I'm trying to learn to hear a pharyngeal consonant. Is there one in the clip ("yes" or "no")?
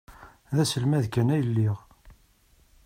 no